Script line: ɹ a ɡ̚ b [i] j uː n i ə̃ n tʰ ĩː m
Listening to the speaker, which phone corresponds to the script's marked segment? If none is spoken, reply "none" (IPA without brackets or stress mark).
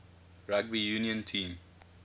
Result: i